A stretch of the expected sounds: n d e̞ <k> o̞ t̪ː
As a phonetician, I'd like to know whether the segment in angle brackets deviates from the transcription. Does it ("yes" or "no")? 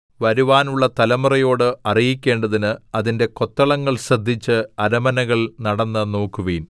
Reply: no